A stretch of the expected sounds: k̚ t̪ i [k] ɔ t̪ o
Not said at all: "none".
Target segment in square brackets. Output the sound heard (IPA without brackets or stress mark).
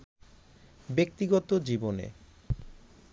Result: ɡ